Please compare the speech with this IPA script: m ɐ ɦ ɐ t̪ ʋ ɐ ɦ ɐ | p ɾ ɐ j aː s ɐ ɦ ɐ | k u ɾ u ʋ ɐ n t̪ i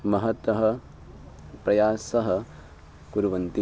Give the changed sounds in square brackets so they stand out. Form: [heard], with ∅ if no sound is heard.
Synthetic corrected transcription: m ɐ ɦ ɐ t̪ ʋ ɐ ɦ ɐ | p ɾ ɐ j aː s ɐ ɦ ɐ | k u ɾ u ʋ ɐ n t̪ i

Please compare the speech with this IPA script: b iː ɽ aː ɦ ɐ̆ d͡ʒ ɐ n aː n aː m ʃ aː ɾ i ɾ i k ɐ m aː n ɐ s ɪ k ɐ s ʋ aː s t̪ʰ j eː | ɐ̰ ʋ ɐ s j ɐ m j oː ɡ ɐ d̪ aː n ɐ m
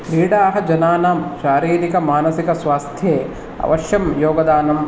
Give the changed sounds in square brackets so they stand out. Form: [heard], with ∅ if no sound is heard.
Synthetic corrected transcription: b iː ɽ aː ɦ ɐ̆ d͡ʒ ɐ n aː n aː m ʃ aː ɾ [iː] ɾ i k ɐ m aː n ɐ s [i] k ɐ s ʋ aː s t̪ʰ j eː | ɐ̰ ʋ ɐ [ʃ] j ɐ m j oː ɡ ɐ d̪ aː n ɐ m

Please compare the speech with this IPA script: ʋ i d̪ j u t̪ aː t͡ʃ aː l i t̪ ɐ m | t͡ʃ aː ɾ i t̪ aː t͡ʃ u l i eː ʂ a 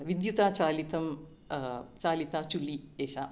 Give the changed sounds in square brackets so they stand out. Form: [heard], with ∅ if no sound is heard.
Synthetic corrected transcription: ʋ i d̪ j u t̪ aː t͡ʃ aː l i t̪ ɐ m | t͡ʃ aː [l] i t̪ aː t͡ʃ u l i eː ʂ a

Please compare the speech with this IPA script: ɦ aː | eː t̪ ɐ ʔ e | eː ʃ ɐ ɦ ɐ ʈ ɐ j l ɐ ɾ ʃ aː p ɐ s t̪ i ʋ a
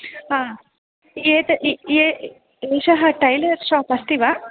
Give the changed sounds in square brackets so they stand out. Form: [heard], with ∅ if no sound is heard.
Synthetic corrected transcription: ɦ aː | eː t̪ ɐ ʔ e | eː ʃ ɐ ɦ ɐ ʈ ɐ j l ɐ ɾ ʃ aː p ɐ s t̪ i ʋ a

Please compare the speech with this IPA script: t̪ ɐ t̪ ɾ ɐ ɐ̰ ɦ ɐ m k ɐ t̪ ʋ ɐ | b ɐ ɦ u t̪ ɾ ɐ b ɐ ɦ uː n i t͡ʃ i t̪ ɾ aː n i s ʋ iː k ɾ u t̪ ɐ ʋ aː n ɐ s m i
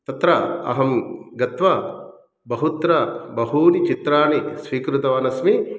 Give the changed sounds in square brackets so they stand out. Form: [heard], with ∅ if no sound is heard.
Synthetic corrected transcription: t̪ ɐ t̪ ɾ ɐ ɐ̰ ɦ ɐ m [ɡ] ɐ t̪ ʋ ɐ | b ɐ ɦ u t̪ ɾ ɐ b ɐ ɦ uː n i t͡ʃ i t̪ ɾ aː n i s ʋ iː k ɾ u t̪ ɐ ʋ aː n ɐ s m i

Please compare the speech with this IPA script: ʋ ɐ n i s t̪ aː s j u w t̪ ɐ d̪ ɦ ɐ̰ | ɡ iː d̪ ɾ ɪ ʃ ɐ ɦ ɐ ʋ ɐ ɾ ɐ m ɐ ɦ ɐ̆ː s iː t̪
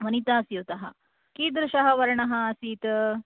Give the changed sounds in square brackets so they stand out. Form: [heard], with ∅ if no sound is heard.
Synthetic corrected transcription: ʋ ɐ n i [∅] t̪ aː s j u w t̪ ɐ [∅] ɦ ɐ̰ | [k] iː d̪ ɾ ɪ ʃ ɐ ɦ ɐ ʋ ɐ ɾ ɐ [ɳ] ɐ ɦ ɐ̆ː s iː t̪

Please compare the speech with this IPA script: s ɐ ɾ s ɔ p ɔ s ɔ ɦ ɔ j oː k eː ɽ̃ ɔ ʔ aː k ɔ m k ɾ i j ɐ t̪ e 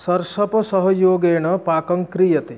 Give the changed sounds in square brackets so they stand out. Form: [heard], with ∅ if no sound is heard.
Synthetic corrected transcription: s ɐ ɾ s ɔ p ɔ s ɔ ɦ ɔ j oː [ɡ] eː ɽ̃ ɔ [p] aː k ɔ [ŋ] k ɾ i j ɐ t̪ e

